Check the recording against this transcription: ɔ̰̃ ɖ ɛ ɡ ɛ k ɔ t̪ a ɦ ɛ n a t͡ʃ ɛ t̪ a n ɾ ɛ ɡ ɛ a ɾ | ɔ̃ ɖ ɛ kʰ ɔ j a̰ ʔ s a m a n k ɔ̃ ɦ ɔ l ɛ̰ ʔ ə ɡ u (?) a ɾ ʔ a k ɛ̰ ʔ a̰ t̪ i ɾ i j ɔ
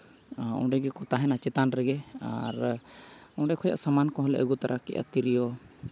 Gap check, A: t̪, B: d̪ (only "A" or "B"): A